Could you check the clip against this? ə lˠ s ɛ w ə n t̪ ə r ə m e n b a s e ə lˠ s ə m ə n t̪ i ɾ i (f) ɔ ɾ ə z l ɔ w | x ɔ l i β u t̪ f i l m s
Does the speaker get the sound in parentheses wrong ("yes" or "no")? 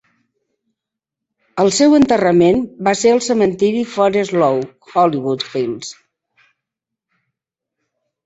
no